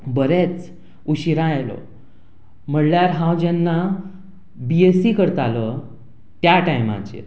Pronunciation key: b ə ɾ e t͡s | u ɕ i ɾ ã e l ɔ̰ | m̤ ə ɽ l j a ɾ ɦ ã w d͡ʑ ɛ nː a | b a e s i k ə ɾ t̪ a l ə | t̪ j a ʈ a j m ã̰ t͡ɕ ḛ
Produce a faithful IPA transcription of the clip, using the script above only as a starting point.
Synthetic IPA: b ə ɾ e t͡s | u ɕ i ɾ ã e l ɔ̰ | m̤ ə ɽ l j a ɾ ɦ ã w d͡ʑ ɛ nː a | b i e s i k ə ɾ t̪ a l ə | t̪ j a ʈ a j m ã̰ t͡ɕ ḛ